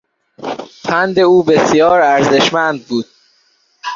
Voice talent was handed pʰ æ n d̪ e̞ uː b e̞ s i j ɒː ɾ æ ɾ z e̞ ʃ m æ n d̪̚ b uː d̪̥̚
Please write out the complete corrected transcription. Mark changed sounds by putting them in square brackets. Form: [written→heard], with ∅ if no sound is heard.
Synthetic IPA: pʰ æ n d̪ e̞ uː b e̞ s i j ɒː ɾ æ ɾ z e̞ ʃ m æ n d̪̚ b uː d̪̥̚